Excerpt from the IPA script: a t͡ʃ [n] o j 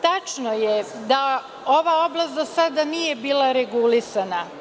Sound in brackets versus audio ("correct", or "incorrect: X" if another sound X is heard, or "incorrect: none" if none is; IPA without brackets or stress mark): correct